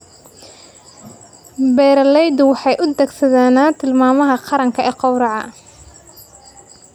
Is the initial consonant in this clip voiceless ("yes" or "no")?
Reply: no